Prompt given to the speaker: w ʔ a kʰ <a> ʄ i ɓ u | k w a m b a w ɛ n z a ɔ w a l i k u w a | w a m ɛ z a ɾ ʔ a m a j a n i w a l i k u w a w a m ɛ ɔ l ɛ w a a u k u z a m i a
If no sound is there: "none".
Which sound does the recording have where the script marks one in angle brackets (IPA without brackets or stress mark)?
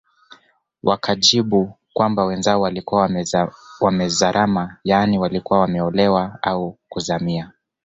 a